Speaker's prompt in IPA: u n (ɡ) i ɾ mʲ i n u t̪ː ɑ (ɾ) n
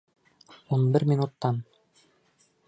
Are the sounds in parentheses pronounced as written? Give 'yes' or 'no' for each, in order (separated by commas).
no, no